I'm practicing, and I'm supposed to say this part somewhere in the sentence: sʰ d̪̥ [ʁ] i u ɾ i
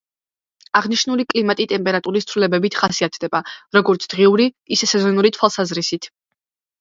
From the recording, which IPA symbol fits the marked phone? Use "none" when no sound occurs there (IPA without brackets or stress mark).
ʁ